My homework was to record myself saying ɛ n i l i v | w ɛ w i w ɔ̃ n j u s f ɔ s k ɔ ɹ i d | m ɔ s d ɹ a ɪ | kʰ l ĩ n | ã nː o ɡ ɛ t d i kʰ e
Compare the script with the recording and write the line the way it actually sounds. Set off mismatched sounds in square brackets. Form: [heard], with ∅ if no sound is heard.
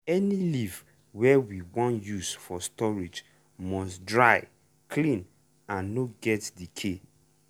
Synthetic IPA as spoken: ɛ n i l i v | w ɛ w i w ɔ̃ n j u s f ɔ s [t] ɔ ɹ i [d͡ʒ] | m ɔ s d ɹ a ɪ | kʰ l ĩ n | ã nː o ɡ ɛ t d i kʰ e